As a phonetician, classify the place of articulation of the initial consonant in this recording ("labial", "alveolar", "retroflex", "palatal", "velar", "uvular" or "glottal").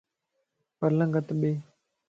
labial